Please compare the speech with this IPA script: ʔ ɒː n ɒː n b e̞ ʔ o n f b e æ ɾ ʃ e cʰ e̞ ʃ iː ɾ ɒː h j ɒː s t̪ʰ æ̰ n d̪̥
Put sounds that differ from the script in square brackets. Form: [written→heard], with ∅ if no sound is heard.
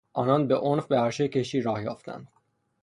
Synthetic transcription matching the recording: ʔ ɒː n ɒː n b e̞ ʔ o n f b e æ ɾ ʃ e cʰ e̞ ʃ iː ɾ ɒː h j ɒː [s→f] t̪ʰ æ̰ n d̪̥